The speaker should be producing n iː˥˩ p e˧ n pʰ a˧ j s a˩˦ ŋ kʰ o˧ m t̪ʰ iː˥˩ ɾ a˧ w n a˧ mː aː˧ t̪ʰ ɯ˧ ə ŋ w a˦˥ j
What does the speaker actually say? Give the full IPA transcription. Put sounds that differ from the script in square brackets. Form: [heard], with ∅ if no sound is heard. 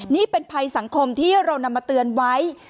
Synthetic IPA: n iː˥˩ p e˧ n pʰ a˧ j s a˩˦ ŋ kʰ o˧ m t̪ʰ iː˥˩ ɾ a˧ w n a˧ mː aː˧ [t̪] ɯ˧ ə [n] w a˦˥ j

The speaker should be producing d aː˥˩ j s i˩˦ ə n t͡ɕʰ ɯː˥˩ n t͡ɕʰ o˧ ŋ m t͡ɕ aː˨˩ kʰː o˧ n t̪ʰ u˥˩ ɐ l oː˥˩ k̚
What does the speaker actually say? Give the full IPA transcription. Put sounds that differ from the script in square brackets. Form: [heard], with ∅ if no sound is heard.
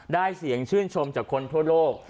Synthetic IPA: d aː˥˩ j s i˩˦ ə [ŋ] t͡ɕʰ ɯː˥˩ n t͡ɕʰ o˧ [∅] m t͡ɕ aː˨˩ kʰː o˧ n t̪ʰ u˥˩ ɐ l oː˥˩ k̚

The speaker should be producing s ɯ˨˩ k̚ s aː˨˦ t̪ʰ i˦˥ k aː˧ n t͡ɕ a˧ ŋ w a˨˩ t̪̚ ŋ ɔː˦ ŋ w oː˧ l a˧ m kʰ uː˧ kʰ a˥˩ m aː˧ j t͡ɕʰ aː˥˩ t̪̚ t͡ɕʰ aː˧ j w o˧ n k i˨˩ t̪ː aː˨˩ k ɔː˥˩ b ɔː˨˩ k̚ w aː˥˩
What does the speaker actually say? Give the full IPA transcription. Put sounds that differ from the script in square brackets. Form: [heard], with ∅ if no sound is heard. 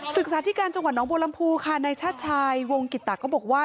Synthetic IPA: s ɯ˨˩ k̚ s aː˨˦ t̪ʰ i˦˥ k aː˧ n t͡ɕ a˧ ŋ w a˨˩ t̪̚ [n] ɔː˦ ŋ [b] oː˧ l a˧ m [pʰ] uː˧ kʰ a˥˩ [n] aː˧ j t͡ɕʰ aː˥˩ t̪̚ t͡ɕʰ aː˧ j w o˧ [ŋ] k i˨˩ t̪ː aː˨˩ k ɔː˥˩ b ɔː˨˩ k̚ w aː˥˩

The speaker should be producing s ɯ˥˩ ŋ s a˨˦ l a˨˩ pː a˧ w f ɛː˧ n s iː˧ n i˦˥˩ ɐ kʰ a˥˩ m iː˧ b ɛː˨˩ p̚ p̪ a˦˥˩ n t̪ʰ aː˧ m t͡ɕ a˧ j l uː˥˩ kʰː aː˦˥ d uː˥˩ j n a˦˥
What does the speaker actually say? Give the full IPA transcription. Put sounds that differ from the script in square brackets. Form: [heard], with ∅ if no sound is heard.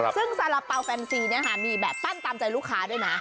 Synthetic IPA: s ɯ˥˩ ŋ s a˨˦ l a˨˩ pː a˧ w f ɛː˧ n s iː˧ n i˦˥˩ ɐ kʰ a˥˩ m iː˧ b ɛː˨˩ p̚ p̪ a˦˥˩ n [t̪] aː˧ m t͡ɕ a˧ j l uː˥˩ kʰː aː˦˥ d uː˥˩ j n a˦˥

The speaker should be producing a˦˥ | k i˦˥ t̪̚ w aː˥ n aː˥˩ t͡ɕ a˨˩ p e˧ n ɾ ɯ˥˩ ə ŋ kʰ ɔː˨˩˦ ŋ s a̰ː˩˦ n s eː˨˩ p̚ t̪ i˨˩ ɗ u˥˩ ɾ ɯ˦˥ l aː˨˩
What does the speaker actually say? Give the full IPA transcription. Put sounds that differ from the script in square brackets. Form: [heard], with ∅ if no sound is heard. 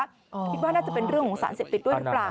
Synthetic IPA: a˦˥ | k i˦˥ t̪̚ w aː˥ n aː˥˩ t͡ɕ a˨˩ p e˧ n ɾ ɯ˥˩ ə ŋ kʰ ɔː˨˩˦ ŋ s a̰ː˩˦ n s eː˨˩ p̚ t̪ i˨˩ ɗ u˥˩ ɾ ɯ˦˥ l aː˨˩

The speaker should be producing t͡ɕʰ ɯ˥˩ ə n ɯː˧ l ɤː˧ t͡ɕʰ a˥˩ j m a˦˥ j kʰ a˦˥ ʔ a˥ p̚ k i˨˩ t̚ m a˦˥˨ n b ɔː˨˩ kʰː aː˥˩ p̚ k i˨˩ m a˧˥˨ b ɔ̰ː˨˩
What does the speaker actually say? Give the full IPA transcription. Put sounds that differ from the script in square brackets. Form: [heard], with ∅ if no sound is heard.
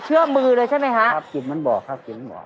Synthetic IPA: t͡ɕʰ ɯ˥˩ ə [m] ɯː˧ l ɤː˧ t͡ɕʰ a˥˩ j m a˦˥ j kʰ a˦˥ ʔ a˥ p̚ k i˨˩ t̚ m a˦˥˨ n b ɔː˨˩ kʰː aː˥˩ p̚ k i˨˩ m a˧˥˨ b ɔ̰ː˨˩

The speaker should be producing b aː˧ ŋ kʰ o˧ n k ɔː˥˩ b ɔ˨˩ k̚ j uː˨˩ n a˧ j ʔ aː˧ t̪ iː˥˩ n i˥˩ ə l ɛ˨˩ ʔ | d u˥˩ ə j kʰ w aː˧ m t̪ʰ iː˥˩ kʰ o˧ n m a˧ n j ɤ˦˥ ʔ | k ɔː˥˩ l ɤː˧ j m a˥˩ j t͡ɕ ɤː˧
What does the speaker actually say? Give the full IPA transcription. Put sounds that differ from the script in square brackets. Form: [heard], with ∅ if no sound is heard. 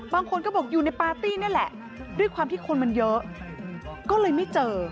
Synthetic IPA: b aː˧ ŋ kʰ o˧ n k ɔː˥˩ b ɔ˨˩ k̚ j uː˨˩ n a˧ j [p] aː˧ t̪ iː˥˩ n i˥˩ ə l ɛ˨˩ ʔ | d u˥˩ ə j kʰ w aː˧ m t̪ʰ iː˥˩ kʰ o˧ n m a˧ n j ɤ˦˥ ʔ | k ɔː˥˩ l ɤː˧ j m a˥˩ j t͡ɕ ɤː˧

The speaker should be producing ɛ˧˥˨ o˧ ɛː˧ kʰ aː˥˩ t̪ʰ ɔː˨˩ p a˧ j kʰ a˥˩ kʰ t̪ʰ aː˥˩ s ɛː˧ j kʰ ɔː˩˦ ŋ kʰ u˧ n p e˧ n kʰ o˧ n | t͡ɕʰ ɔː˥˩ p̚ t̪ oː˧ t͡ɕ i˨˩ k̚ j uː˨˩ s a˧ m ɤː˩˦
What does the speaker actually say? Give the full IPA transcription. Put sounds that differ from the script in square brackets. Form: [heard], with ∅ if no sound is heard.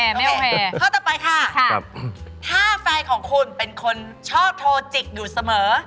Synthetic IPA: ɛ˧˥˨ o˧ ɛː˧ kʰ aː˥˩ [t̪] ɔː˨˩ p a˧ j kʰ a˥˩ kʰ t̪ʰ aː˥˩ [f] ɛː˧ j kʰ ɔː˩˦ ŋ kʰ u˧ n p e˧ n kʰ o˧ n | t͡ɕʰ ɔː˥˩ p̚ [t̪ʰ] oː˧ t͡ɕ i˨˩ k̚ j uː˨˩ s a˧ m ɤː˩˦

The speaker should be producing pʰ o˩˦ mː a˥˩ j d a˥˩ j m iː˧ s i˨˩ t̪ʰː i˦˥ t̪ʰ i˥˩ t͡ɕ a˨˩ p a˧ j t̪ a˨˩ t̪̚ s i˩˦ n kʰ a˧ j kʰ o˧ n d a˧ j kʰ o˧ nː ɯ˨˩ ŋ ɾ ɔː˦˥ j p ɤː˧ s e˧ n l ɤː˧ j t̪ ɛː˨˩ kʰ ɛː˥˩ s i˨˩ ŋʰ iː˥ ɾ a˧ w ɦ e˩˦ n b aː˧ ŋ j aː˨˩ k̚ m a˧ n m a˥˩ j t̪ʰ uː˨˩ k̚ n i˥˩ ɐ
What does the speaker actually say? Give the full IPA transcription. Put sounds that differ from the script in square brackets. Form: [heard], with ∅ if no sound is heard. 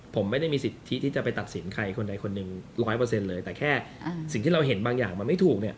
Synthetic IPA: pʰ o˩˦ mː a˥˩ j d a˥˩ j m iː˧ s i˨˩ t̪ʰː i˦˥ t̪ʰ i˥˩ t͡ɕ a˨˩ p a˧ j t̪ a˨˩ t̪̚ s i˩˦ n kʰ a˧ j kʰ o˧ n d a˧ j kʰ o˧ nː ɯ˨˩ ŋ ɾ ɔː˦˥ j p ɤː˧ s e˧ n l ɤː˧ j t̪ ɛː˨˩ kʰ ɛː˥˩ s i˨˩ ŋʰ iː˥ ɾ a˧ w ɦ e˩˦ n b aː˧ ŋ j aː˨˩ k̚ m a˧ n m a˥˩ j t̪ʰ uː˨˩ k̚ n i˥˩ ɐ

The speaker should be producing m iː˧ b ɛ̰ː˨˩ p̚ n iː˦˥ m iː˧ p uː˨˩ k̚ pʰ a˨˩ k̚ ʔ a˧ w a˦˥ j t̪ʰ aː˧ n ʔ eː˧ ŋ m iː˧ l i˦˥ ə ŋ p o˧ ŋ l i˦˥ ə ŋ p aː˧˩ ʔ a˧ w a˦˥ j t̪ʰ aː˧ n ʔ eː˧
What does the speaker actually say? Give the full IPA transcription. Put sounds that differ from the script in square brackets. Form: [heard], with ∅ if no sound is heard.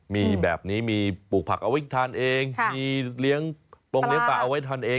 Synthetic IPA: m iː˧ b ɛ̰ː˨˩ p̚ n iː˦˥ m iː˧ p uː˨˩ k̚ pʰ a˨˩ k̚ ʔ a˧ w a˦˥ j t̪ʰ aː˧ n ʔ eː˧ ŋ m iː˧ l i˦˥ ə ŋ p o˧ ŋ l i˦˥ ə ŋ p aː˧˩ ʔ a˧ w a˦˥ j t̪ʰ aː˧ n ʔ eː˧

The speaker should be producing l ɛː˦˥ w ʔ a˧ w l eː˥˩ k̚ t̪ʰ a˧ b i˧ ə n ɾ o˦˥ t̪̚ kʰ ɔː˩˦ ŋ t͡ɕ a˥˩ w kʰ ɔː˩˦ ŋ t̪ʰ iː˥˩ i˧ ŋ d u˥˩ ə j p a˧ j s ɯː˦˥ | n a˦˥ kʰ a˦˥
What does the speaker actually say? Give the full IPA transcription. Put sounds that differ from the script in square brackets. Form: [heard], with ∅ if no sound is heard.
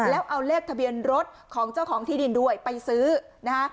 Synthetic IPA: l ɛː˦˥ w ʔ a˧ w l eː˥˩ k̚ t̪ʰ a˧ b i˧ ə n ɾ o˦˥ t̪̚ kʰ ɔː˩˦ ŋ t͡ɕ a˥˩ w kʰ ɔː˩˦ ŋ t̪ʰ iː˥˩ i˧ [n] d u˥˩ ə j p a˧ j s ɯː˦˥ | n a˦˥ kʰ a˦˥

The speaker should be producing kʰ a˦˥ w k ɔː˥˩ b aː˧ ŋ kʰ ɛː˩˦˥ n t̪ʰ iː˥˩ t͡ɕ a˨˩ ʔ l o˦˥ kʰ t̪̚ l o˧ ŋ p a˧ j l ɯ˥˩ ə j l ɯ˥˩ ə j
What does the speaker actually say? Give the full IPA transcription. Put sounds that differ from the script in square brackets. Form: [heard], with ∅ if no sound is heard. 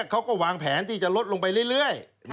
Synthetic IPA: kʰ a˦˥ w k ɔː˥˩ [w] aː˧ ŋ [pʰ] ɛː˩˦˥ n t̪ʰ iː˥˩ t͡ɕ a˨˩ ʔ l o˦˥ [∅] t̪̚ l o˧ ŋ p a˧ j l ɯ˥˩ ə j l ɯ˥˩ ə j

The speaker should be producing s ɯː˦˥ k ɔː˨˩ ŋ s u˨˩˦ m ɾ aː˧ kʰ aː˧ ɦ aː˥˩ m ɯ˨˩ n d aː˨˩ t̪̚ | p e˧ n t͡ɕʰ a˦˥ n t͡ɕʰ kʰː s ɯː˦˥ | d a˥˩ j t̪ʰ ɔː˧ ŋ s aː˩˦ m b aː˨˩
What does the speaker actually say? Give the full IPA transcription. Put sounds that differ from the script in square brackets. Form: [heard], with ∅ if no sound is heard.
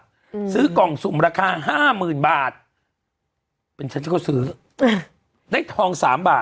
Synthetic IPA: s ɯː˦˥ k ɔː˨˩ ŋ s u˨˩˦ m ɾ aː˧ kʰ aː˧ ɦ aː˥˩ m [ɯː˨˩] n [b] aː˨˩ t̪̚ | p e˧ n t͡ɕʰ a˦˥ n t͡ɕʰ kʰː s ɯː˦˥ | d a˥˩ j t̪ʰ ɔː˧ ŋ s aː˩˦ m b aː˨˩

